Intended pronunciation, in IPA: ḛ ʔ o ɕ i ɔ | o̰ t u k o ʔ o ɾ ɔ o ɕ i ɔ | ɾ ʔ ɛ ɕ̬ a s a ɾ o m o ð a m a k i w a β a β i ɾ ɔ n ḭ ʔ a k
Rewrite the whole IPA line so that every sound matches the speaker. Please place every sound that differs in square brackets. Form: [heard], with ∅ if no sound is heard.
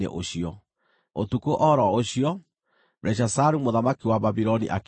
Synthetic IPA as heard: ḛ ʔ o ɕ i ɔ | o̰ t u k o ʔ [ɔ] ɾ ɔ o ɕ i ɔ | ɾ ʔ ɛ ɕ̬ a s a ɾ [u] m o ð a m a k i w a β a β i ɾ ɔ n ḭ ʔ a k